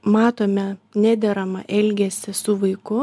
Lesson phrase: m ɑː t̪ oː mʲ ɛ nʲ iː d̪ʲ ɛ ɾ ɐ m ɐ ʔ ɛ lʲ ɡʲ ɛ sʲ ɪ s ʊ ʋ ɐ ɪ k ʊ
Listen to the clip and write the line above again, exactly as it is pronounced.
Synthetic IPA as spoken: m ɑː t̪ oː mʲ ɛ nʲ æː d̪ʲ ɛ ɾ ɐ m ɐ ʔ ɛ lʲ ɡʲ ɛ sʲ ɪ s ʊ ʋ ɐ ɪ k ʊ